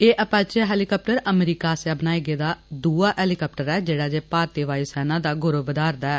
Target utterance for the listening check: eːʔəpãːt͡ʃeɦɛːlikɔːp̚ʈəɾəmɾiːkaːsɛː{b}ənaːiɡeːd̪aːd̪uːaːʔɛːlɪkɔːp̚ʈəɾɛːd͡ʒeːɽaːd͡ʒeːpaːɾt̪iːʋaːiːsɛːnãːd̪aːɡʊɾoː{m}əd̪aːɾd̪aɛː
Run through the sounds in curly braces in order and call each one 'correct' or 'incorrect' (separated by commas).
correct, incorrect